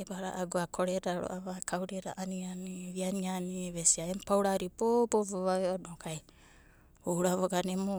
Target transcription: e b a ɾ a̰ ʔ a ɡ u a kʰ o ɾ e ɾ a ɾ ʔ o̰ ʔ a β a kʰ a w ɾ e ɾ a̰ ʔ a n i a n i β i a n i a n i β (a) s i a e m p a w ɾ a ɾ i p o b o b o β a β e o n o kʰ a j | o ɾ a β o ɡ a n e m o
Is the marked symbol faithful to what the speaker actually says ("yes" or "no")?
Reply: no